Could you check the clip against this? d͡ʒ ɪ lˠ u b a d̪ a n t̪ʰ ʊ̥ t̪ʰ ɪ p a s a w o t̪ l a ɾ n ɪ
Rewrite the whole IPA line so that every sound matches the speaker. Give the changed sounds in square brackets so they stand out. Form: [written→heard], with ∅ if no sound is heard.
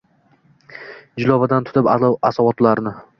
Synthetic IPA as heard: d͡ʒ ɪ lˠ [u→ɒ] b a d̪ a n t̪ʰ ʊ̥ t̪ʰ ɪ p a s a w [o→ɒ] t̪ l a ɾ n ɪ